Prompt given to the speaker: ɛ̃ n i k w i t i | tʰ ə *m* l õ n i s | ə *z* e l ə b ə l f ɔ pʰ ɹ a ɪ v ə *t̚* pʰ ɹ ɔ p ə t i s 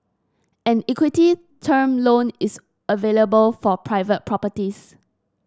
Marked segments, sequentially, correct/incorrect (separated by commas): correct, incorrect, correct